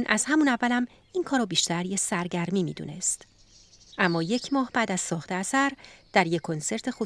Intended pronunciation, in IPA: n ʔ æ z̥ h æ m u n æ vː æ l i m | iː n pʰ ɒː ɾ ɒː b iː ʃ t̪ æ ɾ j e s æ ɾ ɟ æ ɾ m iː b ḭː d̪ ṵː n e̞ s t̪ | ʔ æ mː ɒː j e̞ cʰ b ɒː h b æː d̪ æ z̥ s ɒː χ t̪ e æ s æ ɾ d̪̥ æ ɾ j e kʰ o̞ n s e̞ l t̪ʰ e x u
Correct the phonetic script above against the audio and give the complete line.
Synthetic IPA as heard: n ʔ æ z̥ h æ m u n æ vː æ l æ m | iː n kʰ ɒː ɾ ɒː b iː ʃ t̪ æ ɾ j e s æ ɾ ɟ æ ɾ m iː m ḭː d̪ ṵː n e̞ s t̪ | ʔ æ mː ɒː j e̞ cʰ m ɒː h b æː d̪ æ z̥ s ɒː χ t̪ e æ s æ ɾ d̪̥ æ ɾ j e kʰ o̞ n s e̞ ɾ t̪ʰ e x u